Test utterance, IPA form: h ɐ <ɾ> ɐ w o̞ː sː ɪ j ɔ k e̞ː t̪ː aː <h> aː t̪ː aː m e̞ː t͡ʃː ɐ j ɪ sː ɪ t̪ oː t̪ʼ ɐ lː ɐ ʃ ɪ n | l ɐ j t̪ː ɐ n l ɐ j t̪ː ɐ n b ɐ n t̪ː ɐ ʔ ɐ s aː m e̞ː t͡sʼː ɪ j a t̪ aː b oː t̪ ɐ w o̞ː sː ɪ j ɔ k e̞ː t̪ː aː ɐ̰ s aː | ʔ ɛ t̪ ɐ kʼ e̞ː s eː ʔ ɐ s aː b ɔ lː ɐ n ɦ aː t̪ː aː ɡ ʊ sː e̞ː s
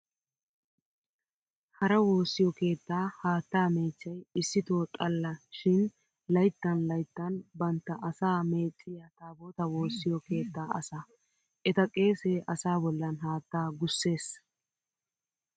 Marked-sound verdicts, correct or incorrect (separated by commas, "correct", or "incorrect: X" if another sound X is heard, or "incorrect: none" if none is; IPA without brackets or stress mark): correct, correct